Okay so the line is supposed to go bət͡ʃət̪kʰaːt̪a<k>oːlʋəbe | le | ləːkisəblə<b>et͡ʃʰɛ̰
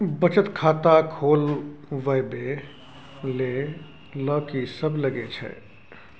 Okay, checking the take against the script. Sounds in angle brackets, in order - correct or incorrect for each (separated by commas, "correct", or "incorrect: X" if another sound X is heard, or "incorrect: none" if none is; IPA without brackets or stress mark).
incorrect: kʰ, incorrect: ɡ